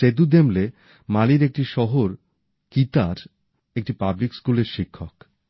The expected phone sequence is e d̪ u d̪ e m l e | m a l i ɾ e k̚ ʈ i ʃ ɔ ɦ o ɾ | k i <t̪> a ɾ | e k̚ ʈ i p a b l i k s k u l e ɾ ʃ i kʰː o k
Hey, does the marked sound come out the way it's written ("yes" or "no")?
yes